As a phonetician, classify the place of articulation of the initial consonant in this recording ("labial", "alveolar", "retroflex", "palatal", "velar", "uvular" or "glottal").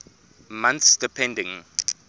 labial